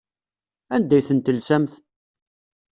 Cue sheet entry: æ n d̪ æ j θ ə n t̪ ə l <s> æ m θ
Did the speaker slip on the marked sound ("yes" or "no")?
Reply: no